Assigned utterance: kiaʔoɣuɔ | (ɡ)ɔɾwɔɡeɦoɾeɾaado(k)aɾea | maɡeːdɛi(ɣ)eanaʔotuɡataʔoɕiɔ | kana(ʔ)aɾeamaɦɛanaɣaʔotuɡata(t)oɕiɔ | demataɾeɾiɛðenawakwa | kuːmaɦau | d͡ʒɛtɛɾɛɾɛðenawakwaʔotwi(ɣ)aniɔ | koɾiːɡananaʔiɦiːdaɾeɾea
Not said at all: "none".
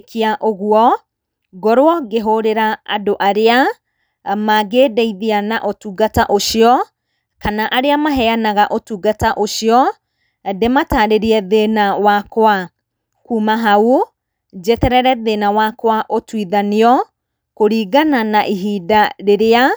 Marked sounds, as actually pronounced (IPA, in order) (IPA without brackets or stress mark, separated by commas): ɡ, ʔ, ð, ʔ, ʔ, ð